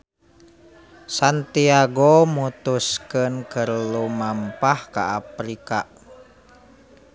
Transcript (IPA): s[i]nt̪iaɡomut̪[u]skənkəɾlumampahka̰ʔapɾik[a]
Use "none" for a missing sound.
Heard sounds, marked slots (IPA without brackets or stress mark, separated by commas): a, u, a